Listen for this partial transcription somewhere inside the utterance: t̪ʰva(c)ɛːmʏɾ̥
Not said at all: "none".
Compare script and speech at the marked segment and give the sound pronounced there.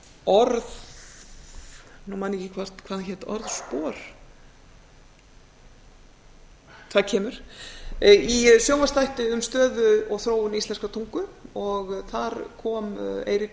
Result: cʰ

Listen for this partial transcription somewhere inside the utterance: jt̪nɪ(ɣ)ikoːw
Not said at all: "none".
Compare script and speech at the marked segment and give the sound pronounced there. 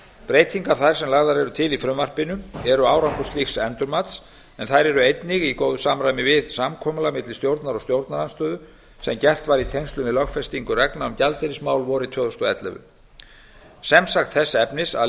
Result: ɣ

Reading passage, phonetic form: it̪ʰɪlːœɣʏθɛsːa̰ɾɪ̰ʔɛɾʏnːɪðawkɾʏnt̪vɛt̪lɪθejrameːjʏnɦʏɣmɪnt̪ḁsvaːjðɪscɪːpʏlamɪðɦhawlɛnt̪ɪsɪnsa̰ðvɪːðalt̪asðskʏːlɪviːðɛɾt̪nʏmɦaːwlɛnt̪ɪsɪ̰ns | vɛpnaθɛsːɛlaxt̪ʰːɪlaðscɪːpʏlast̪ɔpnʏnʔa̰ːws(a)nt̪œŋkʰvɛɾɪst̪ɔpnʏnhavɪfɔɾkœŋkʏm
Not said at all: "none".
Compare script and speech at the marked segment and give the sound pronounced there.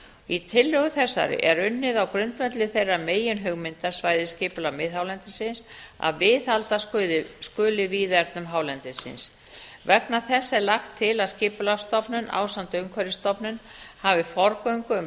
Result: a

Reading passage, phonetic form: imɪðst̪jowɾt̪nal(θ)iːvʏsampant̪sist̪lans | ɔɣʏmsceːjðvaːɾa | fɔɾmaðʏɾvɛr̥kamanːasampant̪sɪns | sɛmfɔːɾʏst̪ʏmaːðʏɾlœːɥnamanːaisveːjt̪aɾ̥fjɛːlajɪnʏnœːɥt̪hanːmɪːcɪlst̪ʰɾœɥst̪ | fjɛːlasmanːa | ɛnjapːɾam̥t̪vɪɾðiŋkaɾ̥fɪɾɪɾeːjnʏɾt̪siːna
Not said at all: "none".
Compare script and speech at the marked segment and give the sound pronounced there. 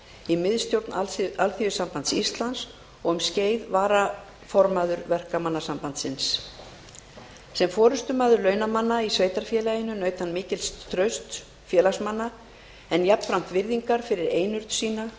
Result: θ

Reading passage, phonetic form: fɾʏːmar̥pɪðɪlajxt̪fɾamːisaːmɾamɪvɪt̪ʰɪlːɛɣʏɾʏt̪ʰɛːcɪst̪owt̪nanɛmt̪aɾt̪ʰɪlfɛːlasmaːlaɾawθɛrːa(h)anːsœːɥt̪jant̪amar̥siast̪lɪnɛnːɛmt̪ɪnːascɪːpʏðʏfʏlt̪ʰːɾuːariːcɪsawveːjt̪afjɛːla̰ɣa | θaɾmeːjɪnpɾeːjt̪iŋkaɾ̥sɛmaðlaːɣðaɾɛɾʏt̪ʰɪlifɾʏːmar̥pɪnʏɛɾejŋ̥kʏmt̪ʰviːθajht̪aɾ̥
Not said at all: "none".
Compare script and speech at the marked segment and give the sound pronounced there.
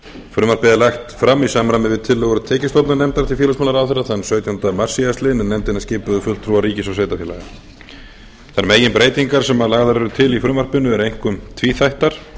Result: θ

